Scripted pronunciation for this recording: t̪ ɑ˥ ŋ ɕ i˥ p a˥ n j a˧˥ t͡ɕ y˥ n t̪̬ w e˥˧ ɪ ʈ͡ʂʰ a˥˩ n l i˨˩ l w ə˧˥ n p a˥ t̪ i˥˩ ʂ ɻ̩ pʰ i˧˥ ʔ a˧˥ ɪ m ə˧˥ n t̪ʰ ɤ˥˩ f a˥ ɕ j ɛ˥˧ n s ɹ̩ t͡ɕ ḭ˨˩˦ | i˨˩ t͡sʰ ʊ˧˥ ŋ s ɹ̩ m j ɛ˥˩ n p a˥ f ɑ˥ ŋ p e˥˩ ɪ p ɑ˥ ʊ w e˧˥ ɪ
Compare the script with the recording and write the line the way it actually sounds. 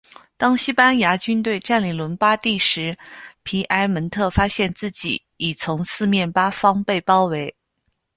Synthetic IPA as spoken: t̪ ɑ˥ ŋ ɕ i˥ p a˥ n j a˧˥ t͡ɕ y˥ n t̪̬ w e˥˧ ɪ ʈ͡ʂ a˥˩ n l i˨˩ l w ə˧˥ n p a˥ t̪ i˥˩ ʂ ɻ̩ pʰ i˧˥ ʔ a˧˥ ɪ m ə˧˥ n t̪ʰ ɤ˥˩ f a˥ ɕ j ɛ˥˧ n t͡s ɹ̩ t͡ɕ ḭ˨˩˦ | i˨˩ t͡sʰ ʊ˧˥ ŋ s ɹ̩ m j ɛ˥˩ n p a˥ f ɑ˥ ŋ p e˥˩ ɪ p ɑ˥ ʊ w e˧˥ ɪ